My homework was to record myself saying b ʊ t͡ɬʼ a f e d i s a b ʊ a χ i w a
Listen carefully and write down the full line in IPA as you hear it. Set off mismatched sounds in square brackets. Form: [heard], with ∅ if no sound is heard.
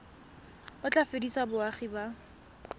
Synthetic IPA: b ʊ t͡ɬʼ a f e d i s a b ʊ a χ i [b] a

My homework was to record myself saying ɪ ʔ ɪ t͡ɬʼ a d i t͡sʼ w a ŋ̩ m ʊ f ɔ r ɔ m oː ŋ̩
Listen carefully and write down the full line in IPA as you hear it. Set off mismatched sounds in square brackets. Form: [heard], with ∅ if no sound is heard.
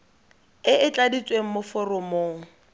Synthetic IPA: ɪ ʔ ɪ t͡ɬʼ a d i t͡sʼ w [e] ŋ̩ m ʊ f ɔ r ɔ m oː ŋ̩

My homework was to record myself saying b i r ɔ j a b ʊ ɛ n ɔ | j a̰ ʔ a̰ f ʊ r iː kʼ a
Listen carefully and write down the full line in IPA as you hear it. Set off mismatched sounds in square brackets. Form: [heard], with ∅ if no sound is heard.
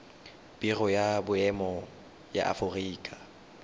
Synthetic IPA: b i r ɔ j a b ʊ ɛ [m] ɔ | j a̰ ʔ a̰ f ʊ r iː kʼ a

